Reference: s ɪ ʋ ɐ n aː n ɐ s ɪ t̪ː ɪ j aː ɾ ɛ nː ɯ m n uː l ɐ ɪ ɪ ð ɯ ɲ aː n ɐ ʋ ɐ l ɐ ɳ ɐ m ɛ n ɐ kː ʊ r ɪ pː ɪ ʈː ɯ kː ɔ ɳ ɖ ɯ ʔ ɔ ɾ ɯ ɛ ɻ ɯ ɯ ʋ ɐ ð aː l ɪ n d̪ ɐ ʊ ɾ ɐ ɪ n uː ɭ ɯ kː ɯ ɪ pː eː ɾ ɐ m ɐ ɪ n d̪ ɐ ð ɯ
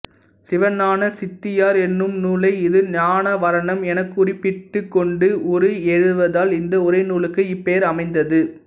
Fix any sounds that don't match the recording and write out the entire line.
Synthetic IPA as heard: s ɪ ʋ ɐ n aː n ɐ s ɪ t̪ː ɪ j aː ɾ ɛ nː ɯ m n uː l ɐ ɪ ɪ ð ɯ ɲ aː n ɐ ʋ ɐ ɾ ɐ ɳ ɐ m ɛ n ɐ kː ʊ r ɪ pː ɪ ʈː ɯ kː ɔ ɳ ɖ ɯ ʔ ɔ ɾ ɯ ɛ ɻ ɯ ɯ ʋ ɐ ð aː l ɪ n d̪ ɐ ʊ ɾ ɐ ɪ n uː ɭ ɯ kː ɯ ɪ pː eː ɾ ɐ m ɐ ɪ n d̪ ɐ ð ɯ

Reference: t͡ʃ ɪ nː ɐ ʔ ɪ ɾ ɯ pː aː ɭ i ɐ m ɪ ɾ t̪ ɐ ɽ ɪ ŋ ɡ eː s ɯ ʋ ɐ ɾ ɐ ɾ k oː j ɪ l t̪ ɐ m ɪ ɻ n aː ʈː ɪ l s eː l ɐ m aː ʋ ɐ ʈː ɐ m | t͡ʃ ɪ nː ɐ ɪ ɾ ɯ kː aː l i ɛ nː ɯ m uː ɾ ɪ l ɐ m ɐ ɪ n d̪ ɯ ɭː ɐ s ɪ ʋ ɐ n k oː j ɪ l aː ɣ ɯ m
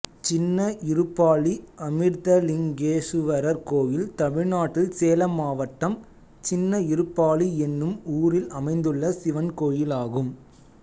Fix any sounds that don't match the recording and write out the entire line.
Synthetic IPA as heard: t͡ʃ ɪ nː ɐ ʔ ɪ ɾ ɯ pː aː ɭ i ɐ m ɪ ɾ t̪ ɐ l ɪ ŋ ɡ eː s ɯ ʋ ɐ ɾ ɐ ɾ k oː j ɪ l t̪ ɐ m ɪ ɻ n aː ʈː ɪ l s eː l ɐ m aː ʋ ɐ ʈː ɐ m | t͡ʃ ɪ nː ɐ ɪ ɾ ɯ pː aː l i ɛ nː ɯ m uː ɾ ɪ l ɐ m ɐ ɪ n d̪ ɯ ɭː ɐ s ɪ ʋ ɐ n k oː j ɪ l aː ɣ ɯ m

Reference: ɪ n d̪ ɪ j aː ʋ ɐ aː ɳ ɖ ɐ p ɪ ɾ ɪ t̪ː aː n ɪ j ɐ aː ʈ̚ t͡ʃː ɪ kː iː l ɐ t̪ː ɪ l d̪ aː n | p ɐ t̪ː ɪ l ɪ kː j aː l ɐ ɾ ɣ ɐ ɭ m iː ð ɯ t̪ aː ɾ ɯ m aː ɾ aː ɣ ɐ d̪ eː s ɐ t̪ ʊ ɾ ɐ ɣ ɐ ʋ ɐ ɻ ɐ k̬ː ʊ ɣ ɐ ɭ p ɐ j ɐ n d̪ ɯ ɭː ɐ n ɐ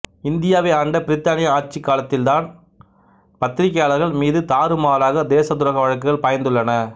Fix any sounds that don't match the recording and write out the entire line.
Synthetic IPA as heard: ɪ n d̪ ɪ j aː ʋ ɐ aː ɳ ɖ ɐ p ɪ ɾ ɪ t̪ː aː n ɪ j ɐ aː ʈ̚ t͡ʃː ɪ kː aː l ɐ t̪ː ɪ l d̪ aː n | p ɐ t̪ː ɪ ɾ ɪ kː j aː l ɐ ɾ ɣ ɐ ɭ m iː ð ɯ t̪ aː ɾ ɯ m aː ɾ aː ɣ ɐ d̪ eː s ɐ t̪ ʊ ɾ ɐ ɣ ɐ ʋ ɐ ɻ ɐ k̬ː ɯ ɣ ɐ ɭ p ɐ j ɐ n d̪ ɯ ɭː ɐ n ɐ

